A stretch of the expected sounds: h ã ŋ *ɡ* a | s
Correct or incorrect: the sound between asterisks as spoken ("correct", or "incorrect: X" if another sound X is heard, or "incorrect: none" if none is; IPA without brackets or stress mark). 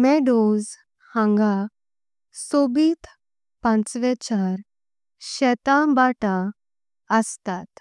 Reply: correct